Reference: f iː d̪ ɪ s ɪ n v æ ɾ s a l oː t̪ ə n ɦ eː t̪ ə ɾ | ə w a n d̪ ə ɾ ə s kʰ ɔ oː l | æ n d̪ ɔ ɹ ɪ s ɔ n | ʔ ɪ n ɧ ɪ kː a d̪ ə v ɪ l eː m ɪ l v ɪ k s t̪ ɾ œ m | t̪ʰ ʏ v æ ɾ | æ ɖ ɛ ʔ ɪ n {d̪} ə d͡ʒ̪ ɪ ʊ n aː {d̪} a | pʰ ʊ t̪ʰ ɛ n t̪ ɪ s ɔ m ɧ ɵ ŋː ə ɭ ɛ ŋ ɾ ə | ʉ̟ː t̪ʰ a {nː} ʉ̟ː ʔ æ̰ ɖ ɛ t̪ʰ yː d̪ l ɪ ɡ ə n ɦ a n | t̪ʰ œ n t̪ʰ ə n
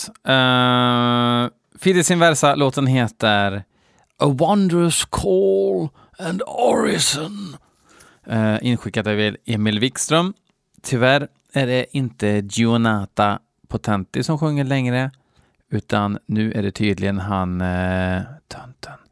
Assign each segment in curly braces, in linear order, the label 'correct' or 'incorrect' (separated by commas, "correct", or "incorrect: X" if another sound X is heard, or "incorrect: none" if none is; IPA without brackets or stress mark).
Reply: incorrect: t̪, incorrect: t̪, correct